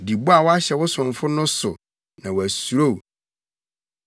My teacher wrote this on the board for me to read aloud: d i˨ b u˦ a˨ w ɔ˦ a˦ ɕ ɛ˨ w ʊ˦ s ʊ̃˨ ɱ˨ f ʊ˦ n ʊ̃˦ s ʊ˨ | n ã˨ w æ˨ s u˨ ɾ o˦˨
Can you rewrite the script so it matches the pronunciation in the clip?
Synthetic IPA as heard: d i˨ b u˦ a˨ w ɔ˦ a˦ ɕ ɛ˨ w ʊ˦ s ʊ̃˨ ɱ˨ f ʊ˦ n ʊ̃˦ s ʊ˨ | n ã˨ w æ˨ s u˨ ɾ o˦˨